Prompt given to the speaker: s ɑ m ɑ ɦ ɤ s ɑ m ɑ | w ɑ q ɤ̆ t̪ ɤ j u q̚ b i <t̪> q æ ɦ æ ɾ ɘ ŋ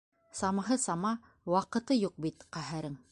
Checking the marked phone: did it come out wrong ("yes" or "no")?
no